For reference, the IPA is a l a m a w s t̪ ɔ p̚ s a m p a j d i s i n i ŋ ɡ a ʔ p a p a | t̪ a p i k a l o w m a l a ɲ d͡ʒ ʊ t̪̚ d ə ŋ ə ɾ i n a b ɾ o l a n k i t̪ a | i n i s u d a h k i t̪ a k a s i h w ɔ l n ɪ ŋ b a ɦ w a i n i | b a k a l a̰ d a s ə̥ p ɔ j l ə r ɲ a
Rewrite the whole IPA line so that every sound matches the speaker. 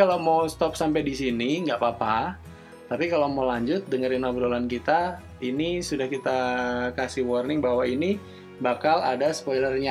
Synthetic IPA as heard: a l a m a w s t̪ ɔ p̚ s a m p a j d i s i n i ŋ ɡ a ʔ p a p a | t̪ a p i k a l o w m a l a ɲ d͡ʒ ʊ t̪̚ d ə ŋ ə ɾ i n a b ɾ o l a n k i t̪ a | i n i s u d a h k i t̪ a k a s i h w ɔ r n ɪ ŋ b a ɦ w a i n i | b a k a l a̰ d a s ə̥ p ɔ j l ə r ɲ a